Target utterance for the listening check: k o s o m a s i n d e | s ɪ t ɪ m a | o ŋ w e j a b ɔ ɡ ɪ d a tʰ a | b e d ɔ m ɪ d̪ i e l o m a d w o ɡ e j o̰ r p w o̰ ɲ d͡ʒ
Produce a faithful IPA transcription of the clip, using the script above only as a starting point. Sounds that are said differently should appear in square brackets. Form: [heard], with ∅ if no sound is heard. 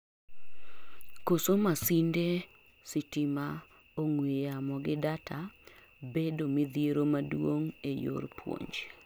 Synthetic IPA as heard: k o s o m a s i n d e | s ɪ t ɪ m a | o ŋ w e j a [m] ɔ ɡ ɪ d a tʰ a | b e d [o] m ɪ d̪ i e [ɾ] o m a d w o [ŋ] e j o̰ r p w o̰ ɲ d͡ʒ